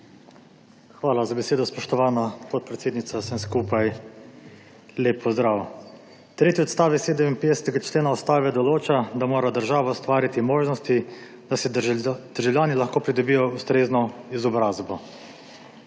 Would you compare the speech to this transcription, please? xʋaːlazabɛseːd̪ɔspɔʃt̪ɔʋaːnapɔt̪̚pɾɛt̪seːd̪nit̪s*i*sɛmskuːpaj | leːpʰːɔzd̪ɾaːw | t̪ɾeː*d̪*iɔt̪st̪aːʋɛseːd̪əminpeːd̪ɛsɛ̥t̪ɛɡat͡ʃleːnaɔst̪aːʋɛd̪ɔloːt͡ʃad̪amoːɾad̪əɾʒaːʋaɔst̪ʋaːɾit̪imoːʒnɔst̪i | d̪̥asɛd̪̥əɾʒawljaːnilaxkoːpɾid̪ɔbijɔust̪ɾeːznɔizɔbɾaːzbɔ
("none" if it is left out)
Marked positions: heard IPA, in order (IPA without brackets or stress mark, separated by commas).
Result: a, t̪